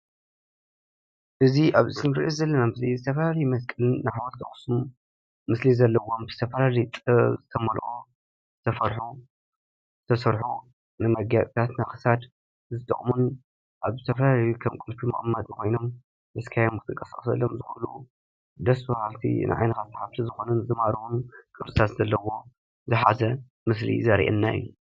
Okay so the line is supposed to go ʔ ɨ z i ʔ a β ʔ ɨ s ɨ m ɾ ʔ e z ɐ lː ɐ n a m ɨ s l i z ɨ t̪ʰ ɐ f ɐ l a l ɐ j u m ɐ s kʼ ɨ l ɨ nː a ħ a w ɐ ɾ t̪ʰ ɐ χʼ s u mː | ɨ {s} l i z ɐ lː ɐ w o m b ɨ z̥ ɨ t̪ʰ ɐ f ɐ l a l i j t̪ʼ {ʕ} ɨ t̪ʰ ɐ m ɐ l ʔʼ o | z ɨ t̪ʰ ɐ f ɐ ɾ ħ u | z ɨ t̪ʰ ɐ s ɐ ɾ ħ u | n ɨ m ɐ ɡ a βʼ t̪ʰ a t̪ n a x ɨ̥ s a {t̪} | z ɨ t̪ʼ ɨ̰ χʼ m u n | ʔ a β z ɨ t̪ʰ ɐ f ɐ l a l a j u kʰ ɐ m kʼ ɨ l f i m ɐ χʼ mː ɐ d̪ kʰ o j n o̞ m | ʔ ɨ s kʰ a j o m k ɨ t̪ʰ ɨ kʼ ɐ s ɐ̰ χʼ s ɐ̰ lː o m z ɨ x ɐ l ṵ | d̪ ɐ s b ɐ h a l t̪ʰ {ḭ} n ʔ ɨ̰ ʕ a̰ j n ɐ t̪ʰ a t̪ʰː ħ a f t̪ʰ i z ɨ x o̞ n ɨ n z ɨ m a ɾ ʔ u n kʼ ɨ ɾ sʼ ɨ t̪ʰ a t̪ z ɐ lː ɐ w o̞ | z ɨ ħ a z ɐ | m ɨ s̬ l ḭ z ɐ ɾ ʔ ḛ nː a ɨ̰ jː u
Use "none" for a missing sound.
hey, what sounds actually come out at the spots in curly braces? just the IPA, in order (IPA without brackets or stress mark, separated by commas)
s, z, d̪, ḭ